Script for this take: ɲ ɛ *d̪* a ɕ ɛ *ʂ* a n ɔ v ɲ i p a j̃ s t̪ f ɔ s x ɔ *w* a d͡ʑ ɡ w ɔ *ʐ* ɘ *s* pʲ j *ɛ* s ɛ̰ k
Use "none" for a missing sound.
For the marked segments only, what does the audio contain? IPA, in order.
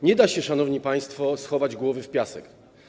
d̪, ʂ, v, v, f, a

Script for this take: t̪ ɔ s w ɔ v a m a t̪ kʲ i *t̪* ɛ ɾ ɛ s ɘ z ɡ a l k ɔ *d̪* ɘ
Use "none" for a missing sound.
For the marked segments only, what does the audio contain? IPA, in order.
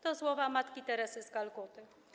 t̪, t̪

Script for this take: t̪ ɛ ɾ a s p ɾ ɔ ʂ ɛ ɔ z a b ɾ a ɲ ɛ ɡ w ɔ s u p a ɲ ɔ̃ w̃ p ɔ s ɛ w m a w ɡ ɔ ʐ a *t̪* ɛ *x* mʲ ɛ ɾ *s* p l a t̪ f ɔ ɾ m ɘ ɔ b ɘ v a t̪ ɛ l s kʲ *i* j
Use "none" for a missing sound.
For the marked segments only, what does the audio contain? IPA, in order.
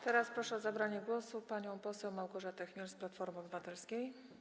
t̪, x, s, e

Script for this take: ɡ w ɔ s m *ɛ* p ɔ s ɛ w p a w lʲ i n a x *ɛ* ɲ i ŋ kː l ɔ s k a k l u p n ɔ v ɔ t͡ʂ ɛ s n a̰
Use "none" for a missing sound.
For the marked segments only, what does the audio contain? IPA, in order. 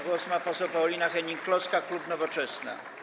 a, ɛ

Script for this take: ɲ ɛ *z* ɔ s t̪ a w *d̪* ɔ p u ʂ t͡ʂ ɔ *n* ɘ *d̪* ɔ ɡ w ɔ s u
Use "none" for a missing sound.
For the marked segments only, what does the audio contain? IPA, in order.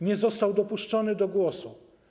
z, d̪, n, d̪

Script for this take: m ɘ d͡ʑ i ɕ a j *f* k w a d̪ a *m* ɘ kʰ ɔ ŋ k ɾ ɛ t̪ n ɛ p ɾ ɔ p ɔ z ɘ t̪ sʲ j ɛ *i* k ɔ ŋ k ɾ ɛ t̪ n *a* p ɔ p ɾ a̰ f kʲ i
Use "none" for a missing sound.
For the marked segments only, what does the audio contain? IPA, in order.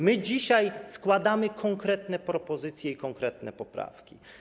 s, m, i, ɛ

